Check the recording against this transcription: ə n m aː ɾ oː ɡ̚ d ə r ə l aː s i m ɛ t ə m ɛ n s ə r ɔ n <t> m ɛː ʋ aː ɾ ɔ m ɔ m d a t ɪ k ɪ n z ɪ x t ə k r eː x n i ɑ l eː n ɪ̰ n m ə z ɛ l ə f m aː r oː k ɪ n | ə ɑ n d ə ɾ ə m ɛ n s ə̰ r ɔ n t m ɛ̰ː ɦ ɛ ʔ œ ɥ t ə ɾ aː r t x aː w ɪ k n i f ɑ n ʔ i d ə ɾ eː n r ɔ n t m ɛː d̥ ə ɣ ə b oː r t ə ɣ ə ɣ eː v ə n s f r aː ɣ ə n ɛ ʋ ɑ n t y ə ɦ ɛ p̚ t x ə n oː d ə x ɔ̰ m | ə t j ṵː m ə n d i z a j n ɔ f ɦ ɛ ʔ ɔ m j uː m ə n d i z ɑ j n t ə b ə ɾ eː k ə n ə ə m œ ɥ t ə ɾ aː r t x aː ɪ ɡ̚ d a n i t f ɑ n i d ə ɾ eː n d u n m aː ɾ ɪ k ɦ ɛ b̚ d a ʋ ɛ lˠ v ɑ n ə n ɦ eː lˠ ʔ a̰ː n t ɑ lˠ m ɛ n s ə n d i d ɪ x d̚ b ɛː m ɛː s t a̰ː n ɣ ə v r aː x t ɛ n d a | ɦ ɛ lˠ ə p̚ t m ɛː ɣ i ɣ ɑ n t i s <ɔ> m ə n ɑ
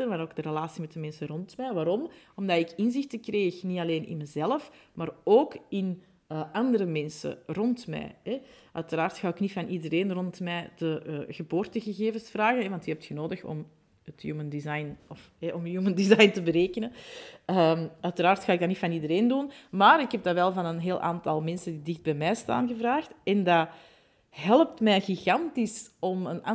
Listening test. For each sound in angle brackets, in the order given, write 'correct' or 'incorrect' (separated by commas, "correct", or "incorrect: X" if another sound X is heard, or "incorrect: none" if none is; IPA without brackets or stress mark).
correct, correct